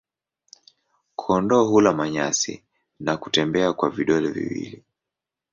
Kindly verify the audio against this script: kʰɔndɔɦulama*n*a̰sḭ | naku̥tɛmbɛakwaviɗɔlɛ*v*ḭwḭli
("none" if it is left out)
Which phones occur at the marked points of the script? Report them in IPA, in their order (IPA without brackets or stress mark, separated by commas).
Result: ɲ, v